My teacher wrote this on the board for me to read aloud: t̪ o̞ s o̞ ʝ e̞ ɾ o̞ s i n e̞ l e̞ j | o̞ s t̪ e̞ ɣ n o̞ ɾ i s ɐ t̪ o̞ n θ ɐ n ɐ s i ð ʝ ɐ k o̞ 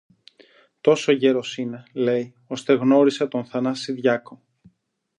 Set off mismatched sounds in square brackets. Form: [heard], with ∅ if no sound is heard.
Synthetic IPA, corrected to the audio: t̪ o̞ s o̞ ʝ e̞ ɾ o̞ s i n e̞ l e̞ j | o̞ s t̪ e̞ ɣ n o̞ ɾ i s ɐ t̪ o̞ n θ ɐ n ɐ s i ð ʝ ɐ k o̞